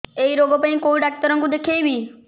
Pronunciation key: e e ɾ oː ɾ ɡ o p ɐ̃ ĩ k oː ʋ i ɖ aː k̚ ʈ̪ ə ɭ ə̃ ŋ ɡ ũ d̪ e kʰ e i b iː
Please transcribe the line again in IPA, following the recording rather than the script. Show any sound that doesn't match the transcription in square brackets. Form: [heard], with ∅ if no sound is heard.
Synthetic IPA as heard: e [i] ɾ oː [∅] ɡ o p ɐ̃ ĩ k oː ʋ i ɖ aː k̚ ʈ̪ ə [ɾ] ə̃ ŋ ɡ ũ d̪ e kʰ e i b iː